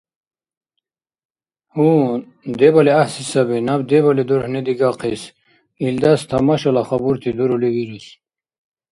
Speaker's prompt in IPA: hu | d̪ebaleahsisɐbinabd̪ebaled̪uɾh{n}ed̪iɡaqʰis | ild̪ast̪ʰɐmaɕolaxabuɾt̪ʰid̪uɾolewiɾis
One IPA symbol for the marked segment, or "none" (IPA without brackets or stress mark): n